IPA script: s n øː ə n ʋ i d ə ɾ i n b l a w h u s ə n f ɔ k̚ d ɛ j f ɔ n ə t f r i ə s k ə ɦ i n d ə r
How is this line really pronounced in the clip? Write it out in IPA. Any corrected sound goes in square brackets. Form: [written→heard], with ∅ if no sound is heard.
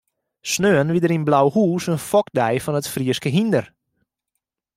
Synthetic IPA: s n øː ə n ʋ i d ə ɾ i n b l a w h [u→uː] s ə n f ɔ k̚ d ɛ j f ɔ n ə t f r i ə s k ə ɦ i n d ə r